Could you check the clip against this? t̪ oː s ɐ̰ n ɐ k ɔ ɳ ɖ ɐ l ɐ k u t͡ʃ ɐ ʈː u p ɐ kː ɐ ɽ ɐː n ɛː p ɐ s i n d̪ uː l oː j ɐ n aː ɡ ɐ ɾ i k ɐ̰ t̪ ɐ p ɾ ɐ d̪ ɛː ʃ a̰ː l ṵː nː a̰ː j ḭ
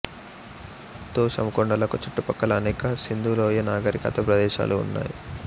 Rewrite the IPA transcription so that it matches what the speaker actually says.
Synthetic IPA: t̪ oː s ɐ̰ m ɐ k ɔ ɳ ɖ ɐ l ɐ k u t͡ʃ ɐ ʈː u p ɐ kː ɐ l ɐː n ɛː k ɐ s i n d̪ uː l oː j ɐ n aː ɡ ɐ ɾ i k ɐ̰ t̪ ɐ p ɾ ɐ d̪ ɛː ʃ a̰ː l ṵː nː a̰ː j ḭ